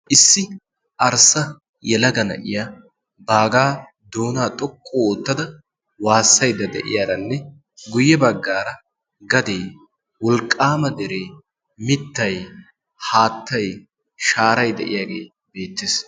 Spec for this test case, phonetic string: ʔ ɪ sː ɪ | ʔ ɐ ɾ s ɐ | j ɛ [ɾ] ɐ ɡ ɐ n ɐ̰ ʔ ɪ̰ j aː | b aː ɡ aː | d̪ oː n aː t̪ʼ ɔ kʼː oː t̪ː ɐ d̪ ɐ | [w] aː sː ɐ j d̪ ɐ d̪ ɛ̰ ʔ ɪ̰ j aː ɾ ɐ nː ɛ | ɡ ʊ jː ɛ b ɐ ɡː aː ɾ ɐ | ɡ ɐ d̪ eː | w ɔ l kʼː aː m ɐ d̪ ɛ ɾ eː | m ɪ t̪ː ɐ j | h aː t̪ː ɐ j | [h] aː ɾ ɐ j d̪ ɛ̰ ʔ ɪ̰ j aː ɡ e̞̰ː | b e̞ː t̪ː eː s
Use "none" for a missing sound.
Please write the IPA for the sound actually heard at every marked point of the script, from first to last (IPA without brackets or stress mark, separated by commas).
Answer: l, w, ʃ